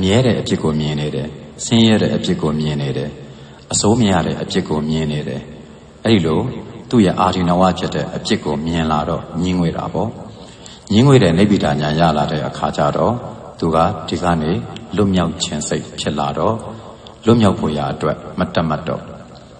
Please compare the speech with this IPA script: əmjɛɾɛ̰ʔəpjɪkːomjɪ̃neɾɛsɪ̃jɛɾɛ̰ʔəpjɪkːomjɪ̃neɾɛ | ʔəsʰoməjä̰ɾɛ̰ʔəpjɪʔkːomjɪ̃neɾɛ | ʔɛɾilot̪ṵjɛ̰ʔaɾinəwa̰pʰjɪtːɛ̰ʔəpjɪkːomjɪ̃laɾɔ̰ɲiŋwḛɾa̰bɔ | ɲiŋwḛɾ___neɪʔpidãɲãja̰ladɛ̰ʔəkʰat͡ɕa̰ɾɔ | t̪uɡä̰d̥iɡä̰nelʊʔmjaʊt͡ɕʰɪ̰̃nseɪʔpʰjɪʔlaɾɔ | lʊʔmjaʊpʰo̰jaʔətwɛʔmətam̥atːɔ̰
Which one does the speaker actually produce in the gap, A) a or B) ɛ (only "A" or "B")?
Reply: B